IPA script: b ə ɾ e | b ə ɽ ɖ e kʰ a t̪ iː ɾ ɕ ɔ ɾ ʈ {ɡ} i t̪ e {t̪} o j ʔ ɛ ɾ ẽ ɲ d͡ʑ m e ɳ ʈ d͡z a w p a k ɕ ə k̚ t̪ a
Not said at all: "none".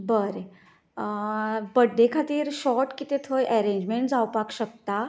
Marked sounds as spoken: k, t̪ʰ

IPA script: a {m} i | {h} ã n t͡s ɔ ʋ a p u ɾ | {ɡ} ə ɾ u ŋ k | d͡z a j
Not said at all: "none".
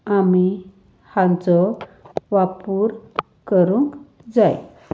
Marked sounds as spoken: m, h, k

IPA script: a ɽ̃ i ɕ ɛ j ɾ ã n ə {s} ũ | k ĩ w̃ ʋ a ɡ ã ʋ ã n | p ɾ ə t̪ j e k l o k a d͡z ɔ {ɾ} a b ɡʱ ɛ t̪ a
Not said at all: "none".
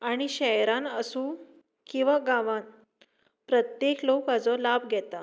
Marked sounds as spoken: s, l

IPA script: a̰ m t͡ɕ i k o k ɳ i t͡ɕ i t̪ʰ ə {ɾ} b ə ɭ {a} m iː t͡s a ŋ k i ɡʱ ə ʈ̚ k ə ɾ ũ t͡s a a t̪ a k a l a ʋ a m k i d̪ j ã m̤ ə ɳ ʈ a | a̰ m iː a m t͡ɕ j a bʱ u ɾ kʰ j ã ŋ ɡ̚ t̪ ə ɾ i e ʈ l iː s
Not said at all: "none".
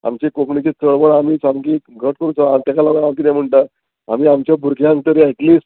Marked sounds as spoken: ɭ, a

